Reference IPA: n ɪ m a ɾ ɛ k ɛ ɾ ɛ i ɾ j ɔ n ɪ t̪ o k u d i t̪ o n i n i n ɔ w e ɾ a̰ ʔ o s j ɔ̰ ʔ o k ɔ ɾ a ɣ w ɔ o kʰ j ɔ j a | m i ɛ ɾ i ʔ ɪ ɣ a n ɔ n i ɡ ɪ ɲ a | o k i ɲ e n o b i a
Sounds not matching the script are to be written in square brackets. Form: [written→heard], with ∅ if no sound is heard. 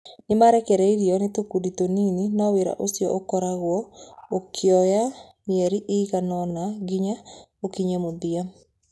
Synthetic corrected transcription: n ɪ m a ɾ ɛ k ɛ ɾ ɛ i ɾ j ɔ n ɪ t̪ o k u d i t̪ o n i n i n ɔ w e ɾ a̰ ʔ o s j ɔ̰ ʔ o k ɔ ɾ a ɣ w ɔ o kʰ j ɔ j a | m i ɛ ɾ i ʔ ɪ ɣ a n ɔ n [i→a] ɡ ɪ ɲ a | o k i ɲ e [n→m] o b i a